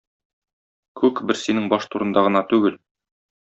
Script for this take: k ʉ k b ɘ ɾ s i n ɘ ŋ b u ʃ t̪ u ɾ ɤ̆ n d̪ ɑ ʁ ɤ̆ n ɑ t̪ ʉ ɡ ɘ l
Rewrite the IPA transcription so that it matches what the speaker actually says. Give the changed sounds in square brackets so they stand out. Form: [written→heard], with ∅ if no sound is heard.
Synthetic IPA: k ʉ k b ɘ ɾ s i n ɘ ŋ b [u→ɒ] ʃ t̪ u ɾ ɤ̆ n d̪ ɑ ʁ ɤ̆ n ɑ t̪ ʉ ɡ ɘ l